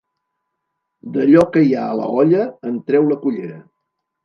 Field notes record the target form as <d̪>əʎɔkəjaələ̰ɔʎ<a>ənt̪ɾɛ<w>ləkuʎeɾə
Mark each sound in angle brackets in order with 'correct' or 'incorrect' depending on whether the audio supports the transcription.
correct, incorrect: ə, correct

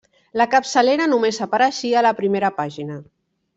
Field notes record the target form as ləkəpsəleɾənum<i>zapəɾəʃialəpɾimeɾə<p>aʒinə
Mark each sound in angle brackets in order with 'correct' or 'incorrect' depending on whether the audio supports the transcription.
incorrect: e, correct

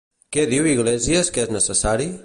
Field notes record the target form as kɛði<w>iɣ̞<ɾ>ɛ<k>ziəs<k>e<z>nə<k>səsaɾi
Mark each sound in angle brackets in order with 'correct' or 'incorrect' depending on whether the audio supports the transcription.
correct, incorrect: l, incorrect: none, correct, correct, incorrect: none

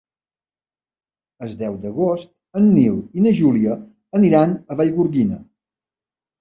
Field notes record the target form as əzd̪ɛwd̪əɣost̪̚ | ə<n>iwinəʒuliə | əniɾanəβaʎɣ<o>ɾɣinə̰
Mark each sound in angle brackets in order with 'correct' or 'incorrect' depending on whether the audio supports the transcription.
incorrect: nː, incorrect: u

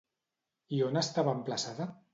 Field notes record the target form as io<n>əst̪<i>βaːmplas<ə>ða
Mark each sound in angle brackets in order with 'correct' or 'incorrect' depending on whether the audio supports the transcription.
correct, incorrect: a, incorrect: a

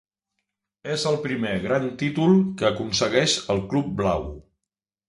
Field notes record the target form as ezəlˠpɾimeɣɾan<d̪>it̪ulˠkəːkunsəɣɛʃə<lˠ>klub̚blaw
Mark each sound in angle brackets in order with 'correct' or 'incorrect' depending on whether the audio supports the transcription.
incorrect: t̪, correct

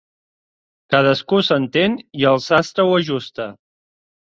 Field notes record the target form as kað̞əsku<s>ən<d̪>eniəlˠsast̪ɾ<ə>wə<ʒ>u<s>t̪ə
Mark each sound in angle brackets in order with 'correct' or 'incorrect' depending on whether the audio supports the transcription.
correct, incorrect: t̪, correct, correct, correct

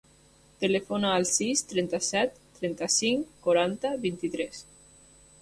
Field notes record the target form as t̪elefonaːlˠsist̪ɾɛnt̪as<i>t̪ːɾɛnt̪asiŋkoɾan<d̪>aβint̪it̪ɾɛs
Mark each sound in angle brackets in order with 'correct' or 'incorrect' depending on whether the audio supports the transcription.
incorrect: ɛ, incorrect: t̪

